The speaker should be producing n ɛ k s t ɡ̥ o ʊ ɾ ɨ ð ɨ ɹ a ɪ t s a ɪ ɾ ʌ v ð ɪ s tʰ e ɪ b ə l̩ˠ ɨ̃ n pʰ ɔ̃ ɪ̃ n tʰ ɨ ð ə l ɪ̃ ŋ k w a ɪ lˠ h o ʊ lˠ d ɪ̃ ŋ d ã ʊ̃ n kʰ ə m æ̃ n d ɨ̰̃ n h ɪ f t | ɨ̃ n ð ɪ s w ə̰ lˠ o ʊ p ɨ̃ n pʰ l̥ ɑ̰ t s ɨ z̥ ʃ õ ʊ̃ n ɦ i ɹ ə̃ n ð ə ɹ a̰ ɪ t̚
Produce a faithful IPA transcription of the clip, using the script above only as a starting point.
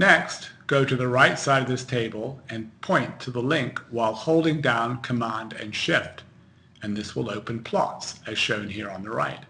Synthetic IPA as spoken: n ɛ k s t ɡ̥ o ʊ ɾ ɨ ð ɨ ɹ a ɪ t s a ɪ ɾ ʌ v ð ɪ s tʰ e ɪ b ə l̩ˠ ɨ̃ n pʰ ɔ̃ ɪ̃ n tʰ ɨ ð ə l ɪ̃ ŋ k w a ɪ lˠ h o ʊ lˠ d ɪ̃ ŋ d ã ʊ̃ n kʰ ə m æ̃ n d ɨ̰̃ n ʃ ɪ f t | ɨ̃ n ð ɪ s w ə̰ lˠ o ʊ p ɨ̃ n pʰ l̥ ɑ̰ t s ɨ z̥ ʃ õ ʊ̃ n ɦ i ɹ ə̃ n ð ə ɹ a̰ ɪ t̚